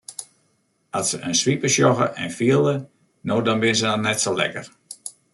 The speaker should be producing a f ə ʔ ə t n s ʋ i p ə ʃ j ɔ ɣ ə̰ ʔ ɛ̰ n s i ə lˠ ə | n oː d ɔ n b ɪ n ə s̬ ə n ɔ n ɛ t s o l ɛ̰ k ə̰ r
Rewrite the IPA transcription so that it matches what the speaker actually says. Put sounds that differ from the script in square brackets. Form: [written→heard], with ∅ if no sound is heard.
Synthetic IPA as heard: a [f→s] ə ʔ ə [t→∅] n s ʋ i p ə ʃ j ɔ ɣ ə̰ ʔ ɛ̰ n [s→f] i ə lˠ ə | n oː d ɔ n b ɪ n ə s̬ ə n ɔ n ɛ t s o l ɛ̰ k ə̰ r